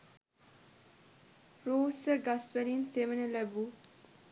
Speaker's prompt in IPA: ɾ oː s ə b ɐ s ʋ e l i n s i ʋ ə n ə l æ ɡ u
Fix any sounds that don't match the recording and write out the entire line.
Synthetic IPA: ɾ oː s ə ɡ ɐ s ʋ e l i n s e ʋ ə n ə l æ b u